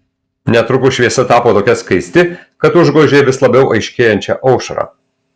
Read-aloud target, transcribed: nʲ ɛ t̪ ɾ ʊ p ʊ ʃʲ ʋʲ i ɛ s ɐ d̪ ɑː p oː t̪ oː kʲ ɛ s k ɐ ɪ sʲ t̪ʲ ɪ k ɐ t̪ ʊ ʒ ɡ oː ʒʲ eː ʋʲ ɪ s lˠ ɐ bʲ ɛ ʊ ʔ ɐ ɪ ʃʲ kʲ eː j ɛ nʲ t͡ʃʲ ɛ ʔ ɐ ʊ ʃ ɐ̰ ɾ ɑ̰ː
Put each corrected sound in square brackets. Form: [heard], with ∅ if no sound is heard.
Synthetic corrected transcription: nʲ ɛ t̪ ɾ ʊ [k] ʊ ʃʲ ʋʲ i ɛ s ɐ [t̪] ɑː p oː t̪ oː kʲ ɛ s k ɐ ɪ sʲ t̪ʲ ɪ k ɐ t̪ ʊ ʒ ɡ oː ʒʲ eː ʋʲ ɪ s lˠ ɐ bʲ ɛ ʊ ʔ ɐ ɪ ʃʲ kʲ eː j ɛ nʲ t͡ʃʲ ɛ ʔ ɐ ʊ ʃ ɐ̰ ɾ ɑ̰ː

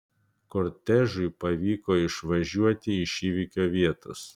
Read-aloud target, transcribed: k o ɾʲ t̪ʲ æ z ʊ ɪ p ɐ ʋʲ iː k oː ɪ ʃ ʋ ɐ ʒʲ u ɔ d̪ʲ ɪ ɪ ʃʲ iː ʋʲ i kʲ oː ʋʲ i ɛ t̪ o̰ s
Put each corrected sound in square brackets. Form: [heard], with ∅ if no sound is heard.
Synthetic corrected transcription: k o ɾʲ t̪ʲ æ [ʒ] ʊ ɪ p ɐ ʋʲ iː k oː ɪ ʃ ʋ ɐ ʒʲ u ɔ [t̪ʲ] ɪ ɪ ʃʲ iː ʋʲ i kʲ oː ʋʲ i ɛ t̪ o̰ s

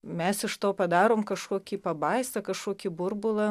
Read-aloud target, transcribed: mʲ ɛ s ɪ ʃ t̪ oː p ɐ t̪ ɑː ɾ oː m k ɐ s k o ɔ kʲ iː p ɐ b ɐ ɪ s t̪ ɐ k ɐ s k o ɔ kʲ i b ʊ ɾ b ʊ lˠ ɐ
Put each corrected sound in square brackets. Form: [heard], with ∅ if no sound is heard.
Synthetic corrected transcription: mʲ ɛ s ɪ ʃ t̪ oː p ɐ [d̪] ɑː ɾ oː m k ɐ [ʃ] k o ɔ kʲ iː p ɐ b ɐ ɪ s t̪ ɐ k ɐ [ʃ] k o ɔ kʲ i b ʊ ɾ b ʊ lˠ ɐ

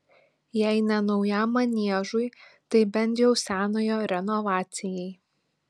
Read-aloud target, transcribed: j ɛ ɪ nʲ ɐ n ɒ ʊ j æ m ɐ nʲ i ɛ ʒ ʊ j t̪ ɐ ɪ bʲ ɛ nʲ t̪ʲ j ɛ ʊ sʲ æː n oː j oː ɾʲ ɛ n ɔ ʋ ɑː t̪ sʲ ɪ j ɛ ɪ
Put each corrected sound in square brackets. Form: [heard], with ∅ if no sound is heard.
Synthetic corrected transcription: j ɛ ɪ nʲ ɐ n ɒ ʊ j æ m ɐ nʲ i ɛ ʒ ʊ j t̪ ɐ ɪ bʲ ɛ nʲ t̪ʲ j ɛ ʊ sʲ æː n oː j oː ɾʲ ɛ n ɔ ʋ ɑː t̪ sʲ ɪ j ɛ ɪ

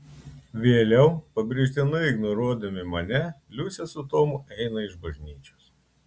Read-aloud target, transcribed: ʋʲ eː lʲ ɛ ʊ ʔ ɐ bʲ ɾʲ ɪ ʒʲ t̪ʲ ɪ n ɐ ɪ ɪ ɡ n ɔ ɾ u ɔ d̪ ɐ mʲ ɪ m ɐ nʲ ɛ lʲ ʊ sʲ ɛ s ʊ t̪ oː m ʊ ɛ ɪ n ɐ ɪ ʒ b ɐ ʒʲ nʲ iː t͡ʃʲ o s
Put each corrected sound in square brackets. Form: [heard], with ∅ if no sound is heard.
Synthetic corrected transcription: ʋʲ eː lʲ ɛ ʊ [p] ɐ bʲ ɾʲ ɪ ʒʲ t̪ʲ ɪ n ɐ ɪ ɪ ɡ n ɔ ɾ u ɔ d̪ ɐ mʲ ɪ m ɐ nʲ ɛ lʲ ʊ sʲ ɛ s ʊ t̪ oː m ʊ ɛ ɪ n ɐ ɪ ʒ b ɐ ʒʲ nʲ iː t͡ʃʲ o s

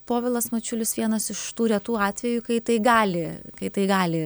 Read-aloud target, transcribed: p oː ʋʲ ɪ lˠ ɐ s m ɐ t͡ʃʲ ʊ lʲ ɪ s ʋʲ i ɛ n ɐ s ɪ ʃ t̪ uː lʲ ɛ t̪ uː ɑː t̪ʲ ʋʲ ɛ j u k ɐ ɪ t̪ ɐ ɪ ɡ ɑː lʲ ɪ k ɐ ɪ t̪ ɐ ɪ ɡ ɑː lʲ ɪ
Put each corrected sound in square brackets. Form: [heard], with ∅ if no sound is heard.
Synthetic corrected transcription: p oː ʋʲ ɪ lˠ ɐ s m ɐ t͡ʃʲ ʊ lʲ ɪ s ʋʲ i ɛ n ɐ s ɪ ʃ t̪ uː [ɾʲ] ɛ t̪ uː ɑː t̪ʲ ʋʲ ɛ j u k ɐ ɪ t̪ ɐ ɪ ɡ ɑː lʲ ɪ k ɐ ɪ t̪ ɐ ɪ ɡ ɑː lʲ ɪ

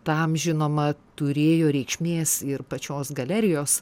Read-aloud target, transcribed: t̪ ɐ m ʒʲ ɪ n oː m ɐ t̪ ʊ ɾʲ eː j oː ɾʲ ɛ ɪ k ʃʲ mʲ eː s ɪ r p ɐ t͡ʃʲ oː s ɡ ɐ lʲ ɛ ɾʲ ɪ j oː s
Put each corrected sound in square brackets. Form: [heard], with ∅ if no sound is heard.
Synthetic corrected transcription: t̪ ɐ m ʒʲ ɪ n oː m ɐ t̪ ʊ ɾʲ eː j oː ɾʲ ɛ ɪ k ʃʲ mʲ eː s ɪ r p ɐ t͡ʃʲ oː s ɡ ɐ lʲ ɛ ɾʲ ɪ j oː s

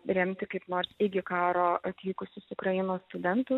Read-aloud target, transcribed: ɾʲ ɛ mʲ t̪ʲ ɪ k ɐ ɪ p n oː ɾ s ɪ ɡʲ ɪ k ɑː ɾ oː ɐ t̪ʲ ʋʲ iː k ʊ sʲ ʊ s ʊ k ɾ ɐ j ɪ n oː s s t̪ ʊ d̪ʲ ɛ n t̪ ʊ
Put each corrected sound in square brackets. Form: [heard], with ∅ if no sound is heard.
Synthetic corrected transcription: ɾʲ ɛ mʲ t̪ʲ ɪ k ɐ ɪ p n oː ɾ s ɪ ɡʲ ɪ k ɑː ɾ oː ɐ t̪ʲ ʋʲ iː k ʊ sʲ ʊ s ʊ k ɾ ɐ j ɪ n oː s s t̪ ʊ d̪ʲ ɛ n t̪ ʊ

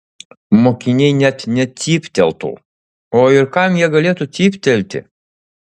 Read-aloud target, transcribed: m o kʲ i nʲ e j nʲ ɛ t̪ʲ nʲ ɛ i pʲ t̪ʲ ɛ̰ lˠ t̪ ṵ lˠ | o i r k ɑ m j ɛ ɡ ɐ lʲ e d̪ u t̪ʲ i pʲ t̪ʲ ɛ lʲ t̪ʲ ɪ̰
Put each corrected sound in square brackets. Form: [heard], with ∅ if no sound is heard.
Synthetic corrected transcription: m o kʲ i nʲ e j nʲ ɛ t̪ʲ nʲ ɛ i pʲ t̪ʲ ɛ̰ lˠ t̪ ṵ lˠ | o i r k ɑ m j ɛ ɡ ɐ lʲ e [t̪] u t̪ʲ i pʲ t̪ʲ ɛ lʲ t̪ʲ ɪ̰

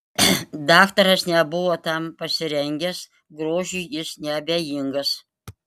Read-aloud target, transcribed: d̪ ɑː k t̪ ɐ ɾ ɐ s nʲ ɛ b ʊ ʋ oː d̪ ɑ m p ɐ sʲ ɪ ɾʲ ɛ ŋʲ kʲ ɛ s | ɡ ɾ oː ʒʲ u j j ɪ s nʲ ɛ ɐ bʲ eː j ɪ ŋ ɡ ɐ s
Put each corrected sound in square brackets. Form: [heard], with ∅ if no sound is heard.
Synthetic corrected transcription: d̪ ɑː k t̪ ɐ ɾ ɐ s nʲ ɛ b ʊ ʋ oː [t̪] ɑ m p ɐ sʲ ɪ ɾʲ ɛ ŋʲ [ɡʲ] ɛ s | ɡ ɾ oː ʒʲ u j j ɪ s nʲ ɛ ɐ bʲ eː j ɪ ŋ ɡ ɐ s

